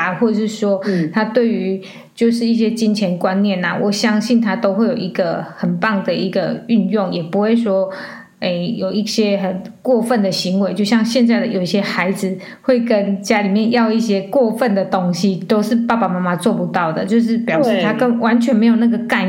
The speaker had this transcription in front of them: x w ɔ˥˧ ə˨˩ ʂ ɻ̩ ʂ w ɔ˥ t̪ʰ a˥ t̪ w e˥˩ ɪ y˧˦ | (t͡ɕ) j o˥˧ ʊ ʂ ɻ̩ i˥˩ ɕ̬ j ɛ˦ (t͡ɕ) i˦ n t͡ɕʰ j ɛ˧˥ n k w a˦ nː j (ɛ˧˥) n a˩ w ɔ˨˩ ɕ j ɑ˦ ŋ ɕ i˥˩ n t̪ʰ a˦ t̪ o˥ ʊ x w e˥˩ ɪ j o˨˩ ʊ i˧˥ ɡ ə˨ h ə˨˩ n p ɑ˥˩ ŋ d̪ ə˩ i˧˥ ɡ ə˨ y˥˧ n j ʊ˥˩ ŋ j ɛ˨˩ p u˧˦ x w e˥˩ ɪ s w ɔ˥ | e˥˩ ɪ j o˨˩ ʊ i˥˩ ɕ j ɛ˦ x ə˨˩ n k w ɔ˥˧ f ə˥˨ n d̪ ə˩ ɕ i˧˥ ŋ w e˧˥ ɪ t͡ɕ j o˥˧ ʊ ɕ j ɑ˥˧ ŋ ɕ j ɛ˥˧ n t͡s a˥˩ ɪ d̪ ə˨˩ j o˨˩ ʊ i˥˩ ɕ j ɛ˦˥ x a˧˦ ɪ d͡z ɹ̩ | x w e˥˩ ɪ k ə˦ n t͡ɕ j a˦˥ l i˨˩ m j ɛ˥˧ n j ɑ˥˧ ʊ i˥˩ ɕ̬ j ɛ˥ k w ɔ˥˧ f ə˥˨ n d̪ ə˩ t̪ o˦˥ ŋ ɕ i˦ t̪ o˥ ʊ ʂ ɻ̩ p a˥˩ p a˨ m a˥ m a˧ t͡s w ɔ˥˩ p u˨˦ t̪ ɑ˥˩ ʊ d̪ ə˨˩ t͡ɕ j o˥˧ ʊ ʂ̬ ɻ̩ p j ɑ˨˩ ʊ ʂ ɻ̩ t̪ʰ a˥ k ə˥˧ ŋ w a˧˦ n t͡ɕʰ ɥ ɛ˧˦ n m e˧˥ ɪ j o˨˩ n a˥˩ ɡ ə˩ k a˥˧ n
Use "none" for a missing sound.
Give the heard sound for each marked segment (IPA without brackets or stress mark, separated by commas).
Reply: t͡ɕ, t͡ɕ, ɛ˥˨˩